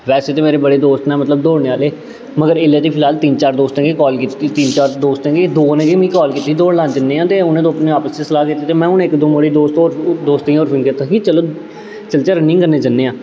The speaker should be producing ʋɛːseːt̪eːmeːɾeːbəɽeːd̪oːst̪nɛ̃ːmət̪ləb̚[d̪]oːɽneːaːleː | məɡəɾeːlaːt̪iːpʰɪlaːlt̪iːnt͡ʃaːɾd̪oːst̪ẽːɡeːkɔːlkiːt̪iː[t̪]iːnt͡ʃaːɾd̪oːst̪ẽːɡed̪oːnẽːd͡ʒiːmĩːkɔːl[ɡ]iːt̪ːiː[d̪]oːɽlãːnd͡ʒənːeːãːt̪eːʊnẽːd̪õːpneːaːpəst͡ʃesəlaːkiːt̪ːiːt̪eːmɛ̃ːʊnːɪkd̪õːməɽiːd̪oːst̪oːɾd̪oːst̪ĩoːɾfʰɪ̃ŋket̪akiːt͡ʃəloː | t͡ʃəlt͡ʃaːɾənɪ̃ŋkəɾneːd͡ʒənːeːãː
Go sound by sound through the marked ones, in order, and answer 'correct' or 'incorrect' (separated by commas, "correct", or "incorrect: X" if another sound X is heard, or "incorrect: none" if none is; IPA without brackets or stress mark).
correct, correct, incorrect: k, correct